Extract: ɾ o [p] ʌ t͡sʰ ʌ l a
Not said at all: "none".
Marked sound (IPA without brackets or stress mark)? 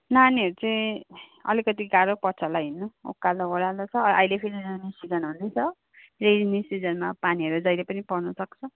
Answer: p